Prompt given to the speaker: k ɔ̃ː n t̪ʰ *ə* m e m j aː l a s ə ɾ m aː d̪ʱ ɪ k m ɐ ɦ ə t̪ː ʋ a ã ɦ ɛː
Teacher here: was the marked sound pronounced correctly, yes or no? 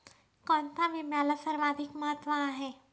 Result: no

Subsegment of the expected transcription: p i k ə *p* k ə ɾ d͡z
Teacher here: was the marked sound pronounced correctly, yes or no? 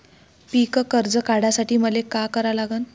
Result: no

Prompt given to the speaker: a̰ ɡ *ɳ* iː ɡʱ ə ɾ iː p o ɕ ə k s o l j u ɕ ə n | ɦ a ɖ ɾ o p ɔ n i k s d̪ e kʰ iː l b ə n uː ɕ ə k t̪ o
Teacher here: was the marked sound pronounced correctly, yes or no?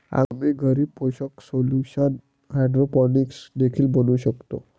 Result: no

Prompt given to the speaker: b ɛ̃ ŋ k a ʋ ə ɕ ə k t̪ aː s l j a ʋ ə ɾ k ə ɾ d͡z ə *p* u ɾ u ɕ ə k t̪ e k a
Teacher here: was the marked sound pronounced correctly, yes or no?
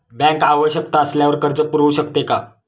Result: yes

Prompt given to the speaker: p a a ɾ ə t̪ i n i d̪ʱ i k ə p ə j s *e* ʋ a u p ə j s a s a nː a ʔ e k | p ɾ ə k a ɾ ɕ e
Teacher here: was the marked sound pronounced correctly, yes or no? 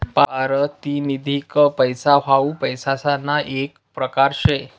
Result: no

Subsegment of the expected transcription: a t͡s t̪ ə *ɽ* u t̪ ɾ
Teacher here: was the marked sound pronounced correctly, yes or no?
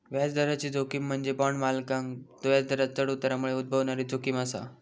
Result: yes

